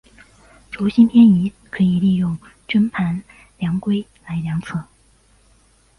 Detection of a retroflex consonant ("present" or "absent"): present